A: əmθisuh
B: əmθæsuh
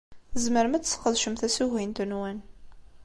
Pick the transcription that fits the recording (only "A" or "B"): B